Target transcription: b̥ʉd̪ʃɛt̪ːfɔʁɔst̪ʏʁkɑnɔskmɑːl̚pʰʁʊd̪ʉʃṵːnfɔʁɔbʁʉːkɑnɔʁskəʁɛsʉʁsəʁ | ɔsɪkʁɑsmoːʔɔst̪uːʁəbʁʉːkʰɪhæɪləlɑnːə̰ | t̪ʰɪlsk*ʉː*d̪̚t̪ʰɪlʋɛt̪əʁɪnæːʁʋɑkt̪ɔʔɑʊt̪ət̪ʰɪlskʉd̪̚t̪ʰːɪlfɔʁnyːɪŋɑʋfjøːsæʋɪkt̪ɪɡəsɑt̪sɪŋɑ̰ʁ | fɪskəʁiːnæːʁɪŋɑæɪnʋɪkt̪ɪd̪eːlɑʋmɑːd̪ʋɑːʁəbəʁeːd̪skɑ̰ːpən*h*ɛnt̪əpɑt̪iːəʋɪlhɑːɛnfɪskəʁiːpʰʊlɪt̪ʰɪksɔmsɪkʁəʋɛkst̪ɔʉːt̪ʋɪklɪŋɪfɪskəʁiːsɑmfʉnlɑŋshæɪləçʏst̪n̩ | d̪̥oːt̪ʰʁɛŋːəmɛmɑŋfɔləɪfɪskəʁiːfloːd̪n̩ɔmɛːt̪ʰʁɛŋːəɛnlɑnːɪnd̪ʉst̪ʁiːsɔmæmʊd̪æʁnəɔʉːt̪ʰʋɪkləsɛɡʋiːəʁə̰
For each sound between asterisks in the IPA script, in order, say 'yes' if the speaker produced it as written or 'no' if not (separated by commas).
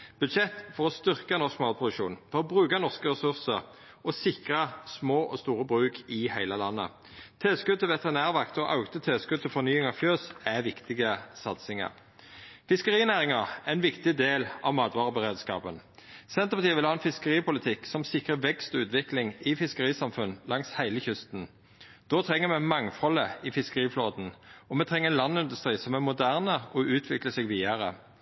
no, no